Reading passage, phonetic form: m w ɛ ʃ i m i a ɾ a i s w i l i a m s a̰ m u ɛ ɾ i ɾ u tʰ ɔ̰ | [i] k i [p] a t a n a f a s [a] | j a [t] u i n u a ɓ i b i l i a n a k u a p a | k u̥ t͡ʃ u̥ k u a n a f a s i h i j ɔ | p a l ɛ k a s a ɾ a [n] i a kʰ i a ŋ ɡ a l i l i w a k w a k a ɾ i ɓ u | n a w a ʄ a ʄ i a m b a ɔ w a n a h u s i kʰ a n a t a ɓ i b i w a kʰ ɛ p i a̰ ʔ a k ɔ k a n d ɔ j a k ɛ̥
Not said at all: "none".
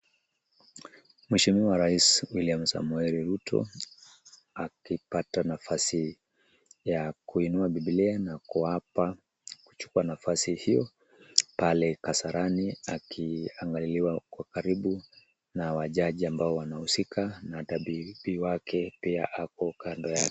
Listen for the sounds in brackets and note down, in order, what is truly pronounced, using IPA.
a, p, i, k, n

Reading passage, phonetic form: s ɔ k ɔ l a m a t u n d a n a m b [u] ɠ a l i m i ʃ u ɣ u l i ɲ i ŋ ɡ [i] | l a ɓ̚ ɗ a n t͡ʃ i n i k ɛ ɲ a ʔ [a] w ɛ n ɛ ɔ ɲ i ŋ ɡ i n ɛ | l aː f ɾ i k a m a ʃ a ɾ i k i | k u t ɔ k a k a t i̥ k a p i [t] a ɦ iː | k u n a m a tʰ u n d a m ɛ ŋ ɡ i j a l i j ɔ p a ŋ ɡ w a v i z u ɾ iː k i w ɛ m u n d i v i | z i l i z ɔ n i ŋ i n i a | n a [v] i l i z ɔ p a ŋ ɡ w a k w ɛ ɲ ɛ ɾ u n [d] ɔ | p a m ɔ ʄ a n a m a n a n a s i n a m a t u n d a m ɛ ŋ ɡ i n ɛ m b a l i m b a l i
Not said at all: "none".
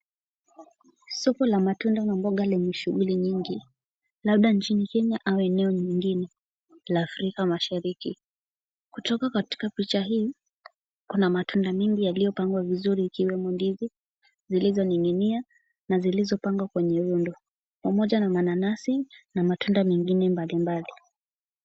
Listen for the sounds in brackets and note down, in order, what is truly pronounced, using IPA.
ɔ, i, a, t͡ʃ, z, d

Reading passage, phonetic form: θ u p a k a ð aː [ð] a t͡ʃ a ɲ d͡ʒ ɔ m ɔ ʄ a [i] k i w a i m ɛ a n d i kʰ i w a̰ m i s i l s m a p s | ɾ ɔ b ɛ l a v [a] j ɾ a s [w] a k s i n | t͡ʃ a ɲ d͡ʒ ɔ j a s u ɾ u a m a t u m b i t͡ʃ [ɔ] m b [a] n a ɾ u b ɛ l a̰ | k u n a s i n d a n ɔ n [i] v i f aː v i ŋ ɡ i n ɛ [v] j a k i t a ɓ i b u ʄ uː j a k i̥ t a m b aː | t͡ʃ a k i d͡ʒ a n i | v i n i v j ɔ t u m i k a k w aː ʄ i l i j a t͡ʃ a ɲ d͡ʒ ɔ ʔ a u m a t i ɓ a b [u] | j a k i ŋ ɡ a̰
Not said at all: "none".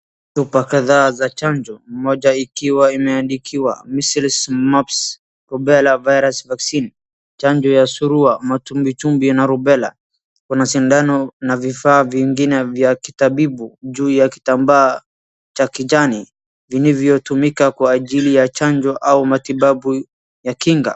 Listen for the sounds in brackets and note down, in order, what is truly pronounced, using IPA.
z, i, a, v, u, i, a, v, u

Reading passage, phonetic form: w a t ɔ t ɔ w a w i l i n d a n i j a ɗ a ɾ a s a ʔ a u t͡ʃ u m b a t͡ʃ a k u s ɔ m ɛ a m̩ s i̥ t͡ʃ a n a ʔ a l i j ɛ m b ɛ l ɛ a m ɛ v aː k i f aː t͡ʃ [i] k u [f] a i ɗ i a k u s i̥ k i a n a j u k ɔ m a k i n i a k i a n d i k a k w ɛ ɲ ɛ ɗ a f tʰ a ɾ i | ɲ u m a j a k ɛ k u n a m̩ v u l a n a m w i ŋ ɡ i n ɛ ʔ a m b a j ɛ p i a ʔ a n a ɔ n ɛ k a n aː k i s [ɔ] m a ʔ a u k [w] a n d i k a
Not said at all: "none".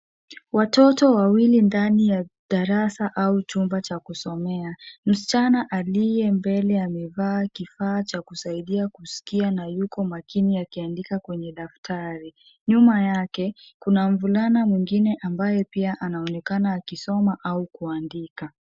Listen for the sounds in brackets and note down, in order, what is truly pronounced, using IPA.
a, s, ɔ, u

